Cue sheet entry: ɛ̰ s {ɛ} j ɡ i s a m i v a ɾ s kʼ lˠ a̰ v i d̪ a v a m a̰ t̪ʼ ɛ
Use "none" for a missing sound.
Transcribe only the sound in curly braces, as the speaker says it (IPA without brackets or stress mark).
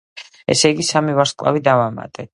ɛ